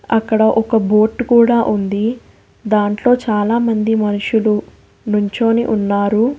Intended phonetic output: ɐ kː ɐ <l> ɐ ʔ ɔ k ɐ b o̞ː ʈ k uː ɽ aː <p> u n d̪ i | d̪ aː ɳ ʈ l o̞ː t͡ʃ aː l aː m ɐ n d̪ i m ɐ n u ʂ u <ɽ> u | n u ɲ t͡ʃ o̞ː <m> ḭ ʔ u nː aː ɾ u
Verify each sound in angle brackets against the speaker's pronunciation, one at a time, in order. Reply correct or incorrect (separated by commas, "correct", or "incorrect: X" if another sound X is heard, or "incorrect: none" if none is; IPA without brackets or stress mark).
incorrect: ɽ, incorrect: ʔ, incorrect: l, incorrect: n